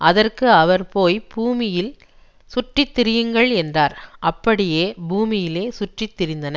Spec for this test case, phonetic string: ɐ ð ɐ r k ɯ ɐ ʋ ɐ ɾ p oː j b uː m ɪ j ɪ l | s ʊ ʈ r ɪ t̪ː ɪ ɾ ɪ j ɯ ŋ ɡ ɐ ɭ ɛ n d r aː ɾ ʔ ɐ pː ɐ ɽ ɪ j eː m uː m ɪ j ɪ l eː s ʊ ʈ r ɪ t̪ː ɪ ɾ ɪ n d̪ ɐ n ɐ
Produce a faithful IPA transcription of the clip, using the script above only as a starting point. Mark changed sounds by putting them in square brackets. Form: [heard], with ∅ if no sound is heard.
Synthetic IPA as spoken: ɐ ð ɐ r k ɯ ɐ ʋ ɐ ɾ p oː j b uː m ɪ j ɪ l | s ʊ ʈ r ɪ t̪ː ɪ ɾ ɪ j ɯ ŋ ɡ ɐ ɭ ɛ n d r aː ɾ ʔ ɐ pː ɐ ɽ ɪ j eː [b] uː m ɪ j ɪ l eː s ʊ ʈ r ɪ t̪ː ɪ ɾ ɪ n d̪ ɐ n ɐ